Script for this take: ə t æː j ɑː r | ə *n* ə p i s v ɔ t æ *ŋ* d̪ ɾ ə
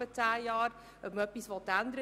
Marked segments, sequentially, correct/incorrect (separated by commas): incorrect, incorrect